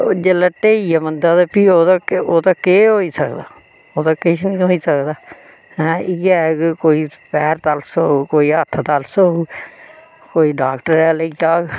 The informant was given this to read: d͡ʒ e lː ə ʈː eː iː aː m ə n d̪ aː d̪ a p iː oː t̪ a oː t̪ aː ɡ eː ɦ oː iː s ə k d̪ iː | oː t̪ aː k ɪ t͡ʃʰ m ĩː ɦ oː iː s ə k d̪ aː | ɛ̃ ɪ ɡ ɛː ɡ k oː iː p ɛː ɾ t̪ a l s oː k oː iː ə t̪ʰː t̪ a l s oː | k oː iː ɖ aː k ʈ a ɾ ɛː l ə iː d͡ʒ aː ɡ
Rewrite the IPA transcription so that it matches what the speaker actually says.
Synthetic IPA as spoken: d͡ʒ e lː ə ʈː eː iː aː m ə n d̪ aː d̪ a p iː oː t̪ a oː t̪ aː k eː ɦ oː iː s ə k d̪ aː | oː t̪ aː k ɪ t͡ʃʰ n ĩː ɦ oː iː s ə k d̪ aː | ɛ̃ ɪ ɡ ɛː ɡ k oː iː p ɛː ɾ t̪ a l s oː k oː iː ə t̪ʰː t̪ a l s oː | k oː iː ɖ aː k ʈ ə ɾ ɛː l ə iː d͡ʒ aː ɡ

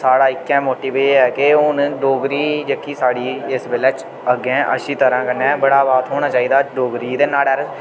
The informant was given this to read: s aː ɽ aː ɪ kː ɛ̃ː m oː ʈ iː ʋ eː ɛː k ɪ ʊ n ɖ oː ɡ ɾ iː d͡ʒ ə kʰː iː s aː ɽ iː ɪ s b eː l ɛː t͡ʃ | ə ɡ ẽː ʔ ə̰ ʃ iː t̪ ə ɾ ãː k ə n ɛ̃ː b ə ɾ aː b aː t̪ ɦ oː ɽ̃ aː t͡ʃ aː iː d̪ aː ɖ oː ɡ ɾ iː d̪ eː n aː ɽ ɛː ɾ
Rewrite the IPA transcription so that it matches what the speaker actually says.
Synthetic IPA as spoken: s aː ɽ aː ɪ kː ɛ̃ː m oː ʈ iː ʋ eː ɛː k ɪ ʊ n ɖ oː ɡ ɾ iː d͡ʒ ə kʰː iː s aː ɽ iː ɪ s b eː l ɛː t͡ʃ | ə ɡ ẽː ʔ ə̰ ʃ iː t̪ ə ɾ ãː k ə n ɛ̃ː b ə ɽ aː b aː t̪ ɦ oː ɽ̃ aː t͡ʃ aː iː d̪ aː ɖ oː ɡ ɾ iː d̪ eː n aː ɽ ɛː ɾ

